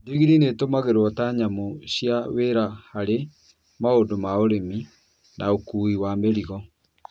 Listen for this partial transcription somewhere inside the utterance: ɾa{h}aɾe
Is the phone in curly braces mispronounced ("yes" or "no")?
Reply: no